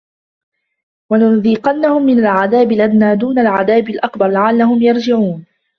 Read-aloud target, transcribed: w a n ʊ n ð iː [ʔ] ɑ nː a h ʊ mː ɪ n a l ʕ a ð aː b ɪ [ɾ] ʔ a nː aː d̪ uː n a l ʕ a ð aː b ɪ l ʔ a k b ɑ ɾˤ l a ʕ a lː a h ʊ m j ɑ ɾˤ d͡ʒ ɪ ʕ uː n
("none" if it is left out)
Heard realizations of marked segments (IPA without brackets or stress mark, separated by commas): q, l